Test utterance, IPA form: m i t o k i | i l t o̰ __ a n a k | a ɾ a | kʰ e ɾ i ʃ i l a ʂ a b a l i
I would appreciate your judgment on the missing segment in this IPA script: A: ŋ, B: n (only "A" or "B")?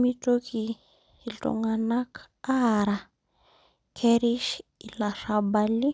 A